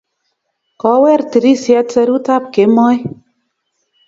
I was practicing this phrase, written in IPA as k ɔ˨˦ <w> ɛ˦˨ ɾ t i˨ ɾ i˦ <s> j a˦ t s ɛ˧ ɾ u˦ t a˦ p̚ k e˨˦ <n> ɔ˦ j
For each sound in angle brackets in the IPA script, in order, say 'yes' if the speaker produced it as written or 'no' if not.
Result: yes, yes, no

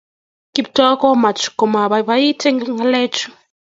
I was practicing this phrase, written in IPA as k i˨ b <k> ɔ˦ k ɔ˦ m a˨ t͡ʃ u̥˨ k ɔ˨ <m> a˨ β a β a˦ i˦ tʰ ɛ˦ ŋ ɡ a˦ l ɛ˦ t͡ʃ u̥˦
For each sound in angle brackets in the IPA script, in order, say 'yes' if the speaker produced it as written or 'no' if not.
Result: no, yes

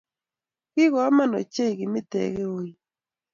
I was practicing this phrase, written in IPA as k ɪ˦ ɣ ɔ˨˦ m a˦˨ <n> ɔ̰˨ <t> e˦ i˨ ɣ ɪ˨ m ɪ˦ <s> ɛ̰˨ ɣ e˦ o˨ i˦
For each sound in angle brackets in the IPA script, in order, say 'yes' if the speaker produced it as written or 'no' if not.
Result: yes, no, no

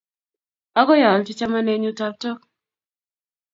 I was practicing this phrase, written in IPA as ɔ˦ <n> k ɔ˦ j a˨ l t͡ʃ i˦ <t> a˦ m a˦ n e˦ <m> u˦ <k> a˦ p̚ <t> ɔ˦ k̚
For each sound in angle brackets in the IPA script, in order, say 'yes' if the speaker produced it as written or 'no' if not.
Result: no, no, no, no, yes

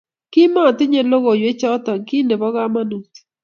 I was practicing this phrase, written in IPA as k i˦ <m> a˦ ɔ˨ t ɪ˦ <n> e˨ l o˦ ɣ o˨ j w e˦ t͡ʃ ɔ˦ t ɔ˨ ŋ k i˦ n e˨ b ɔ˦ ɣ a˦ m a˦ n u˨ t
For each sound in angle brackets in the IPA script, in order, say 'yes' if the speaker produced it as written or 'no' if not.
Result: yes, no

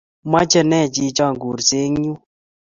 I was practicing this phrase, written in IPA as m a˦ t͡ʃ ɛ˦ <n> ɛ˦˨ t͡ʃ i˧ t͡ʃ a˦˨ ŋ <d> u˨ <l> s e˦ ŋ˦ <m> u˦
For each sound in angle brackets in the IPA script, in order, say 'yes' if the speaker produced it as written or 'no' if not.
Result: yes, no, no, no

